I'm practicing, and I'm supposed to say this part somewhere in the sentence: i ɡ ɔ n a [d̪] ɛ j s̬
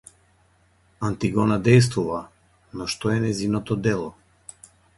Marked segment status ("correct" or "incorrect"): correct